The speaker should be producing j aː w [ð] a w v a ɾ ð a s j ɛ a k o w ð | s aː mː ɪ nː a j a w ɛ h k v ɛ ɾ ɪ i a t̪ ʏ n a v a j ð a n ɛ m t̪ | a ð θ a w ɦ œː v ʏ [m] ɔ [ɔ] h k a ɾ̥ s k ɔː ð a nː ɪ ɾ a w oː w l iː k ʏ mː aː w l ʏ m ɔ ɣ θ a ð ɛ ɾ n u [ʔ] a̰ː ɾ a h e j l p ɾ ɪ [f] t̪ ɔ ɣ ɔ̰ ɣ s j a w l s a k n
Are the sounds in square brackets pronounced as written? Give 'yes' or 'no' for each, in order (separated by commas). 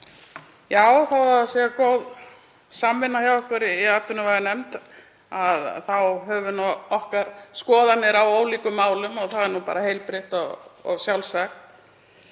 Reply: no, no, yes, no, no